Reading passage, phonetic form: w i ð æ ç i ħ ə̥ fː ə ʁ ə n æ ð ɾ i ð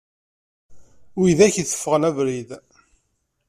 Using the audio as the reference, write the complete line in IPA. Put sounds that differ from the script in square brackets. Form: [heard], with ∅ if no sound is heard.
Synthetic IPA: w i ð æ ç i [θ] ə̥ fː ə ʁ ə n æ [v] ɾ i ð